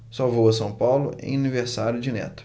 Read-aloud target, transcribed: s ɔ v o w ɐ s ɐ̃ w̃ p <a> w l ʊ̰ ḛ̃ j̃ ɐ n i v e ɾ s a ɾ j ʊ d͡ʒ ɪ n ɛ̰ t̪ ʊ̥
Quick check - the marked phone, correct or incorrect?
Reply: correct